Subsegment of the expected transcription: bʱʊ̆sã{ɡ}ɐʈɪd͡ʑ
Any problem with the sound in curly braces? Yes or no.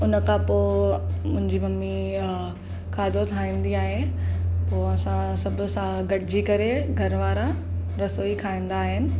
no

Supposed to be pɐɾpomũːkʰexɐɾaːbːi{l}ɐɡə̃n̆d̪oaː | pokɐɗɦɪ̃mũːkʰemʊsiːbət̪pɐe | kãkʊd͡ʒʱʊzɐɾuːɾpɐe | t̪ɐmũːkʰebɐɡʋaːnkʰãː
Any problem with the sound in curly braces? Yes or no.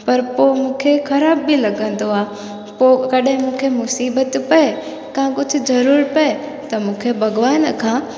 no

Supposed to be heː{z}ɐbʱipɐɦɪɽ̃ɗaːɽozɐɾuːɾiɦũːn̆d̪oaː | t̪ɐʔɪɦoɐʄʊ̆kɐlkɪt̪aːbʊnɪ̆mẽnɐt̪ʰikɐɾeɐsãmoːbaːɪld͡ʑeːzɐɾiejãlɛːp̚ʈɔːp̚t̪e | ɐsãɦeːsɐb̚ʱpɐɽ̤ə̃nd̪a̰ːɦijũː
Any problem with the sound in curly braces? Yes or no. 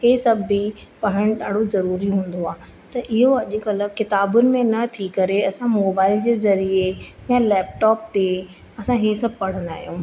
yes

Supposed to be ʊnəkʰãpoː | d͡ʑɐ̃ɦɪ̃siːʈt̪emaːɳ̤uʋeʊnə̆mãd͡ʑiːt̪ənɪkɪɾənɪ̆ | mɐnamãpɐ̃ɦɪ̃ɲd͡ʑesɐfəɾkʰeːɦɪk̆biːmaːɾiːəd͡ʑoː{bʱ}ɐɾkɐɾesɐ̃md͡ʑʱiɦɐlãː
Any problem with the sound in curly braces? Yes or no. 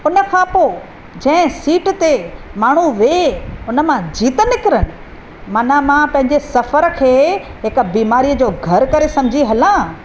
yes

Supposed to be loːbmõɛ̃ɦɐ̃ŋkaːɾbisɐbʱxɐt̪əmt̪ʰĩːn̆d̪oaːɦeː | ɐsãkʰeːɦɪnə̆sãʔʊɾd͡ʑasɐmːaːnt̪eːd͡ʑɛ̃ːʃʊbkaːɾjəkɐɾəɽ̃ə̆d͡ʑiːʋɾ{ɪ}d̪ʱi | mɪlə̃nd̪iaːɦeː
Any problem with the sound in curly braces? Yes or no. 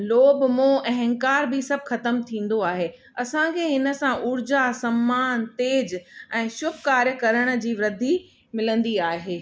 no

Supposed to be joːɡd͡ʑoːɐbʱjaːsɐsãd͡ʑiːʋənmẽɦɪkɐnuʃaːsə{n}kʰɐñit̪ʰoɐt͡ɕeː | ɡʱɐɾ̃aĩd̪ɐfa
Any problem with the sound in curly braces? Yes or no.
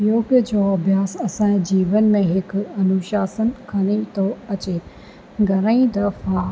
no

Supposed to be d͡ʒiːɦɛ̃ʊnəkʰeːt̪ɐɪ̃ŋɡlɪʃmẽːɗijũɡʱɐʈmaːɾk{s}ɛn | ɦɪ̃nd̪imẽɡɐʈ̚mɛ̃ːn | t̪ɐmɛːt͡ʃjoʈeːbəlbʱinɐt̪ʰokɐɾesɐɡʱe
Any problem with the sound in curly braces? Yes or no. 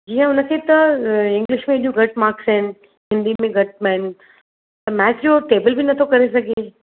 no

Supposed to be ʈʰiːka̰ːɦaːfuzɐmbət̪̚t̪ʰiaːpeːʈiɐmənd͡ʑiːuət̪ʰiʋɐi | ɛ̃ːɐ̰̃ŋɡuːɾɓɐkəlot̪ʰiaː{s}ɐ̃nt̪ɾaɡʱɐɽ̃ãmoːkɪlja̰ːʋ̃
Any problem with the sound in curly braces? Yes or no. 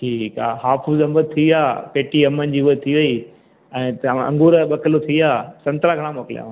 no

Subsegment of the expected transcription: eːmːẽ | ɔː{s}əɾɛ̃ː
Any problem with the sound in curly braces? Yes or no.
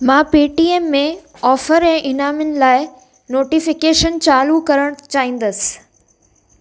yes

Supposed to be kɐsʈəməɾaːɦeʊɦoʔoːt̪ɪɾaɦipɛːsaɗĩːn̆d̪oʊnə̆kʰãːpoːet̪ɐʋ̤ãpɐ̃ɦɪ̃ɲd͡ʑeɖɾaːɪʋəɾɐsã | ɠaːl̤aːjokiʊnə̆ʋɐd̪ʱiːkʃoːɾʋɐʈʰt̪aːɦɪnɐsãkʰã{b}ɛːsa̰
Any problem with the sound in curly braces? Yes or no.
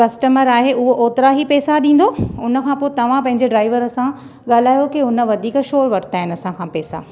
yes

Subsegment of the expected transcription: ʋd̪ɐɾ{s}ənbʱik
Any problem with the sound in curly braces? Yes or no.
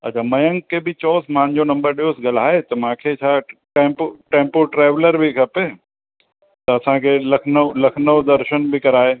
yes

